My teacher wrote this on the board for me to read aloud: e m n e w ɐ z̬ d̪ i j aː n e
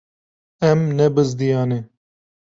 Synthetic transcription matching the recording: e m n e b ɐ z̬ d̪ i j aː n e